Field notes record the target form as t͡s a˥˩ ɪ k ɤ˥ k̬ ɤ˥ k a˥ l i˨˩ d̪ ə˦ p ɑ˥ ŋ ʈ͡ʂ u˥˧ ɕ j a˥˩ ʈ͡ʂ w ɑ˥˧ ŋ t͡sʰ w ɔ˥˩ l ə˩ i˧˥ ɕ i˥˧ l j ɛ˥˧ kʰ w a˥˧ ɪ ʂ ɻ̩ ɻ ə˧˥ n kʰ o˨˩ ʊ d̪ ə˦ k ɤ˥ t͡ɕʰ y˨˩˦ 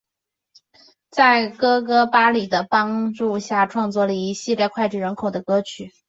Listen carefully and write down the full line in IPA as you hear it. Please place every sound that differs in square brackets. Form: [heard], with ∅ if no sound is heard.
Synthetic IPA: t͡s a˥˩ ɪ k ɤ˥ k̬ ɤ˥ [p] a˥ l i˨˩ d̪ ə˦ p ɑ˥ ŋ ʈ͡ʂ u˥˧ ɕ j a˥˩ [ʈ͡ʂʰ] w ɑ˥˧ ŋ [t͡s] w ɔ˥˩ l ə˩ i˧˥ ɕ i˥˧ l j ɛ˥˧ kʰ w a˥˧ ɪ [ʈ͡ʂ] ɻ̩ ɻ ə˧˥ n kʰ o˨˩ ʊ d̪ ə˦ k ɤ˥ t͡ɕʰ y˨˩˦